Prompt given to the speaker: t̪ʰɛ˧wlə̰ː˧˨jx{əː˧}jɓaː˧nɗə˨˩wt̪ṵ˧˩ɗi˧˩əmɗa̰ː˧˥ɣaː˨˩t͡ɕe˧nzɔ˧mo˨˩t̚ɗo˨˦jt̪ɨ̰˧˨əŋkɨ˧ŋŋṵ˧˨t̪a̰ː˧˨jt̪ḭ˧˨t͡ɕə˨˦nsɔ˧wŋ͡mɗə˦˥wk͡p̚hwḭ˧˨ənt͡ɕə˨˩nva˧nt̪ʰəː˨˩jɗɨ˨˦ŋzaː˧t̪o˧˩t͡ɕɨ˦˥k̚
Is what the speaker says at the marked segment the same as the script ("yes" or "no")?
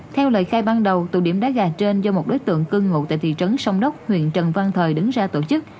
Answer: no